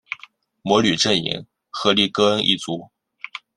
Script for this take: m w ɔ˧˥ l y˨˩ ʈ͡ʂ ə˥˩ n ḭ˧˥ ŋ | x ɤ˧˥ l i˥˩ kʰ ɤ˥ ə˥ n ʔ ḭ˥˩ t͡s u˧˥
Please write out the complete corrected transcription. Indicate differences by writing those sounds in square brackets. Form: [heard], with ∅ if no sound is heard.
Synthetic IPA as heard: m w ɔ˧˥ l y˨˩ ʈ͡ʂ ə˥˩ n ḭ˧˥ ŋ | x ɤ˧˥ l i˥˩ [k] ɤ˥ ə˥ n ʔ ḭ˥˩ t͡s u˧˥